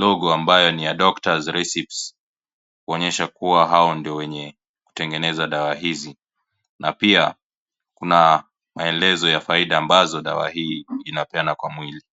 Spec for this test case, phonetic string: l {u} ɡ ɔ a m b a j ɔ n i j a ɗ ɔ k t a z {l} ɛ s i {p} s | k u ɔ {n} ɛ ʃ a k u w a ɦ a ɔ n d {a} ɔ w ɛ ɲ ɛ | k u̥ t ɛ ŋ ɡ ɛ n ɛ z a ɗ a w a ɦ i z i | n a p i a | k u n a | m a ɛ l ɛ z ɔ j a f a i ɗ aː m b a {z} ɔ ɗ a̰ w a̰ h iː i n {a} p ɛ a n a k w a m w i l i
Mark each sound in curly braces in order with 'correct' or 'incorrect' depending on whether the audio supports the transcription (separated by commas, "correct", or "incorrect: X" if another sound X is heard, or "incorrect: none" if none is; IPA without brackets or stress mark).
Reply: incorrect: ɔ, incorrect: ɾ, correct, incorrect: ɲ, incorrect: i, correct, correct